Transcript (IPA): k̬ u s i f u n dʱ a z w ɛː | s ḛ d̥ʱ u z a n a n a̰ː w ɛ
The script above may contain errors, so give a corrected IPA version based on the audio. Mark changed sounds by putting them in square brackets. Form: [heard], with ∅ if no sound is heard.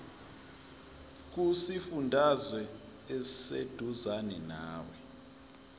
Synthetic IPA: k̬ u s i f u n dʱ a z w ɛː | s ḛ d̥ʱ u z a n [ɛ] n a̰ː w ɛ